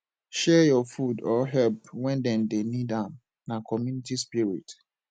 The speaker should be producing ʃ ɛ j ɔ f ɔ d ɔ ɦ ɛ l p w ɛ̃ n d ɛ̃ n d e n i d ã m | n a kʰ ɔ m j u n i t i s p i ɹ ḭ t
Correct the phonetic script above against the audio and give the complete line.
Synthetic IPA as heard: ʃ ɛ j ɔ f u d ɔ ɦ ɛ l p w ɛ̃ n d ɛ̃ n d e n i d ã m | n a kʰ ɔ m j u n i t i s p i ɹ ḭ t